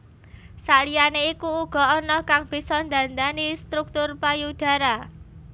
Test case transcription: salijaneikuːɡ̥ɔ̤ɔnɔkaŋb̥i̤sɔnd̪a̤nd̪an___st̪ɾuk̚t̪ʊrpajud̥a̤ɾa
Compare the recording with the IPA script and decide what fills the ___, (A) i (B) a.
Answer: A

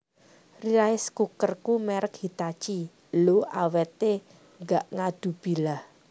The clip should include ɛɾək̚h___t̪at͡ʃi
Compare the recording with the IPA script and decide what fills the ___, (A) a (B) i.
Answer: B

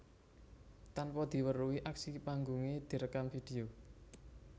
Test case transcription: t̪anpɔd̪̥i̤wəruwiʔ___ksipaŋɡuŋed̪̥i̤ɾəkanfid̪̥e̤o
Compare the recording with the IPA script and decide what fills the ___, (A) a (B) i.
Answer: A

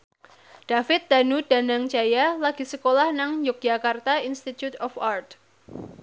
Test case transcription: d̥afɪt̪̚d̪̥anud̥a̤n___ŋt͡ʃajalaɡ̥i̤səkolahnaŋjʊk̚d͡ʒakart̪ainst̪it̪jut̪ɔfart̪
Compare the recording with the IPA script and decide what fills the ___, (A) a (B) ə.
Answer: A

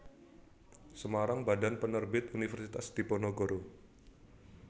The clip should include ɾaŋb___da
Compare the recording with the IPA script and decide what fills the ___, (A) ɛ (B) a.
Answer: B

